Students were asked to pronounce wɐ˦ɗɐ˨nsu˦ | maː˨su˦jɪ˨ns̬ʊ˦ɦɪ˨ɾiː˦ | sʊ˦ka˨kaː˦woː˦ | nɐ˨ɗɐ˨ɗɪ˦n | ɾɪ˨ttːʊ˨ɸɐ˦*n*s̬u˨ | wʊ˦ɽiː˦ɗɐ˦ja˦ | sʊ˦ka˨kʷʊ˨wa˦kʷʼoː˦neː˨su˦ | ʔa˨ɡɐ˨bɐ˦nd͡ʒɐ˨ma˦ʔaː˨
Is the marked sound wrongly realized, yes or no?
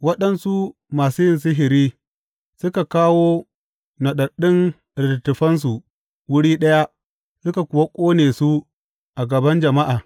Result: no